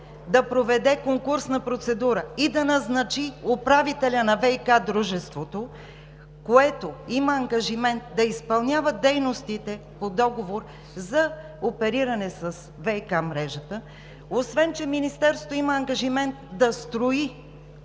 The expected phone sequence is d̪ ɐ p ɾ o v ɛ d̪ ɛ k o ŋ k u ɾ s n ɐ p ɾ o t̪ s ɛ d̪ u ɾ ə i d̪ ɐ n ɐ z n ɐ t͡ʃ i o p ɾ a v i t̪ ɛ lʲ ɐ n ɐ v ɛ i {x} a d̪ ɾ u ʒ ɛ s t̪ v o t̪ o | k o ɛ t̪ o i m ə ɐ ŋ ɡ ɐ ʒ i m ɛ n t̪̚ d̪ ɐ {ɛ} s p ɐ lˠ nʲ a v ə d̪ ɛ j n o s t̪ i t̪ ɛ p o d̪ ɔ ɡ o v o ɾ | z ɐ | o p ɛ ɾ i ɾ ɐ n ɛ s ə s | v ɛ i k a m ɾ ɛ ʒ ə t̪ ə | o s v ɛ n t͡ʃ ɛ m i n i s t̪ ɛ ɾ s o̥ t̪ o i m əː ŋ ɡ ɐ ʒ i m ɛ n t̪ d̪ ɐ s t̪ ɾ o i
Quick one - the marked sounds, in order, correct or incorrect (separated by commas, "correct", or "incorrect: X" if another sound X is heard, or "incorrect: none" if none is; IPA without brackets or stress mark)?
incorrect: k, incorrect: i